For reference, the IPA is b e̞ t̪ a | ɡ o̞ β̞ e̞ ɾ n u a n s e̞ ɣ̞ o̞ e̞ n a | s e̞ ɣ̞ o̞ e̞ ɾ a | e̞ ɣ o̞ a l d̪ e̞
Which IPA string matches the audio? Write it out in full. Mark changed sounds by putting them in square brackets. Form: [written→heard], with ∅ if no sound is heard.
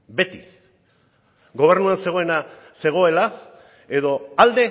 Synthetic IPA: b e̞ t̪ [a→i] | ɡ o̞ β̞ e̞ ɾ n u a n s e̞ ɣ̞ o̞ e̞ n a | s e̞ ɣ̞ o̞ e̞ [ɾ→l] a | e̞ [ɣ→ð] o̞ a l d̪ e̞